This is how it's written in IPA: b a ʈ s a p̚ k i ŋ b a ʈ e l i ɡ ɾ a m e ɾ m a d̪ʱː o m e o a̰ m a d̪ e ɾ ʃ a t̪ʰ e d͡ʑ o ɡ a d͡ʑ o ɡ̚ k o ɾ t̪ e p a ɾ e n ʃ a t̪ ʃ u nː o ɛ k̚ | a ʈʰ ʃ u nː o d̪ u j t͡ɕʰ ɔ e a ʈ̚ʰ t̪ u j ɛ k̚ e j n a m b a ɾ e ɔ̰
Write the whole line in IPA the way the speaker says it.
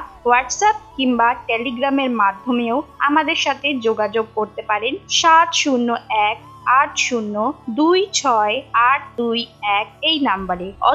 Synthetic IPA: w a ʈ s a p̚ k i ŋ b a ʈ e l i ɡ ɾ a m e ɾ m a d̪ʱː o m e o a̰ m a d̪ e ɾ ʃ a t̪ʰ e d͡ʑ o ɡ a d͡ʑ o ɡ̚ k o ɾ t̪ e p a ɾ e n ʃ a t̪ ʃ u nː o ɛ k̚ | a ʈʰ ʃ u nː o d̪ u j t͡ɕʰ ɔ e a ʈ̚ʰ d̪ u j ɛ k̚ e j n a m b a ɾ e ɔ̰